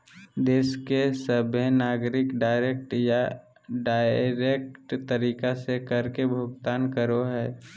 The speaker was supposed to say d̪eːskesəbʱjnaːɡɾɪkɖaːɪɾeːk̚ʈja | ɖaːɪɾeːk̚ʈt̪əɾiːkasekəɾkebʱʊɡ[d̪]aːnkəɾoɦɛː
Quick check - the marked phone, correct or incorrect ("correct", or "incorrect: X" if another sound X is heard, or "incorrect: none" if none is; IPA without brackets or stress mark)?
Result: incorrect: t̪